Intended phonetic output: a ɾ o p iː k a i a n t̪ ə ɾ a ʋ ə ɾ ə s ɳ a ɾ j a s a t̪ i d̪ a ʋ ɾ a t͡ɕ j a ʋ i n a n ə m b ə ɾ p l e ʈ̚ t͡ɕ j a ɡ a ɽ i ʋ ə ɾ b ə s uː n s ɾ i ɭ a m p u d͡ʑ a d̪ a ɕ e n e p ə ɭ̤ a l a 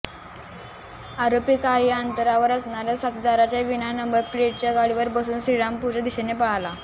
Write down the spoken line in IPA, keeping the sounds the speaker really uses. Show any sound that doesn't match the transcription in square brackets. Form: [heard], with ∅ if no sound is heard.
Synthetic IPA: a ɾ o p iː k a i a n t̪ ə ɾ a ʋ ə ɾ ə s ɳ a ɾ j a s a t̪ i d̪ a [∅] ɾ a t͡ɕ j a ʋ i n a n ə m b ə ɾ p l e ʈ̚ t͡ɕ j a ɡ a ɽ i ʋ ə ɾ b ə s uː n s ɾ i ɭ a m p u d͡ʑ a d̪ [i] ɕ e n e p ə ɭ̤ a l a